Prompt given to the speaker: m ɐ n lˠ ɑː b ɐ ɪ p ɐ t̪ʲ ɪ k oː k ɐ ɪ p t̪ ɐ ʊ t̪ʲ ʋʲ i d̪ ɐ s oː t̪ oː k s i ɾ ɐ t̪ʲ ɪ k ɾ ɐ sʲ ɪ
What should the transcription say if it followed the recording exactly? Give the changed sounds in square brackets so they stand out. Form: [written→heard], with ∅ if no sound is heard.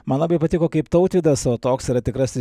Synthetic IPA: m ɐ n lˠ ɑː b ɐ ɪ p ɐ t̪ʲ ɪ k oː k ɐ ɪ p t̪ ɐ ʊ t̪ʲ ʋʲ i d̪ ɐ s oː t̪ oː k s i ɾ ɐ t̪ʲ ɪ k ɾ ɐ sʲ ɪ

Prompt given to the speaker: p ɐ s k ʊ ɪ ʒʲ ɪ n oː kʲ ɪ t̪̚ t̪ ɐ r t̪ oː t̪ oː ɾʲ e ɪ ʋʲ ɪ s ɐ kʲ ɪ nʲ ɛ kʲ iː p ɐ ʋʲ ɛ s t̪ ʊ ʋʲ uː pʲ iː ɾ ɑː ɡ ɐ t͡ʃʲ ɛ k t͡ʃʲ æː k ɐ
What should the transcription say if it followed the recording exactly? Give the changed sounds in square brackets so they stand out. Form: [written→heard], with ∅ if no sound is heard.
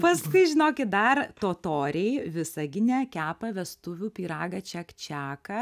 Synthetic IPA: p ɐ s k ʊ ɪ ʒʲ ɪ n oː kʲ ɪ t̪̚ [t̪→d̪] ɐ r t̪ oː t̪ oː ɾʲ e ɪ ʋʲ ɪ s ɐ [kʲ→ɡʲ] ɪ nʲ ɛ kʲ [iː→æː] p ɐ ʋʲ ɛ s t̪ ʊ ʋʲ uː pʲ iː ɾ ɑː ɡ ɐ t͡ʃʲ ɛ k t͡ʃʲ æː k ɐ

